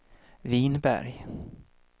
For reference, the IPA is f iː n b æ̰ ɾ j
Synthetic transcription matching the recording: v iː n b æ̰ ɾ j